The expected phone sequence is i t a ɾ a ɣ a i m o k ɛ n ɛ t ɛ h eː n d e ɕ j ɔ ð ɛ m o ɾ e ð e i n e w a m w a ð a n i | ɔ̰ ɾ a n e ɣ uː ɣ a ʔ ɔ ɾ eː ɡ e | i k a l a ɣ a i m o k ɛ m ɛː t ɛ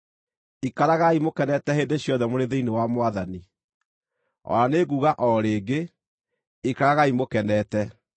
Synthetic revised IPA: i k a ɾ a ɣ a i m o k ɛ n ɛ t ɛ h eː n d e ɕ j ɔ ð ɛ m o ɾ e ð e i n e w a m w a ð a n i | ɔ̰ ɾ a n e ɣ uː ɣ a ʔ ɔ ɾ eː ɡ e | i k a ɾ a ɣ a i m o k ɛ n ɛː t ɛ